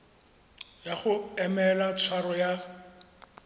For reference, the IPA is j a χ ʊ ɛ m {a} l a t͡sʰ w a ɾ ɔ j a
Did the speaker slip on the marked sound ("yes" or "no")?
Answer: yes